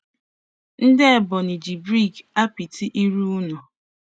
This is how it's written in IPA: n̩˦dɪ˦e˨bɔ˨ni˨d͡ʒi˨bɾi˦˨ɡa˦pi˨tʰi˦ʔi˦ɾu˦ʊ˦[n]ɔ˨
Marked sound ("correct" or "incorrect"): correct